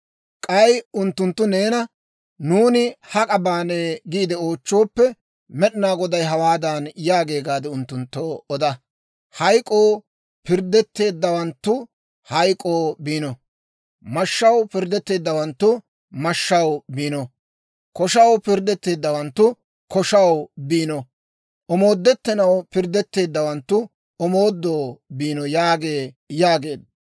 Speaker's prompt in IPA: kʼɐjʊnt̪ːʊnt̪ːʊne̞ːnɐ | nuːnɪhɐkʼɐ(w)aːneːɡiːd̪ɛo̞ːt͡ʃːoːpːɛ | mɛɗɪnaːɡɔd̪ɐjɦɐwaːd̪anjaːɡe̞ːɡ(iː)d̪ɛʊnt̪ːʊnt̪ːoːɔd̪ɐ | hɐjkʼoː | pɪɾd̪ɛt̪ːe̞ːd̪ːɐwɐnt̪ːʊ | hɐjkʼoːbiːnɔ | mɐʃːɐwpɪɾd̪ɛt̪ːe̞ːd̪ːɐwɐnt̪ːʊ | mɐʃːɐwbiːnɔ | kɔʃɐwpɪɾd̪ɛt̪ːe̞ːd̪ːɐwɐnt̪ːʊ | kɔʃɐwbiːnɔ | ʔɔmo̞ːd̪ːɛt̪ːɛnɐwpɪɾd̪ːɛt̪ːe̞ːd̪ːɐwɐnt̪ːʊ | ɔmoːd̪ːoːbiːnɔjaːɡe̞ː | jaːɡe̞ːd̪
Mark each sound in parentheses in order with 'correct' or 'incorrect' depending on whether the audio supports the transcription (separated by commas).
incorrect, incorrect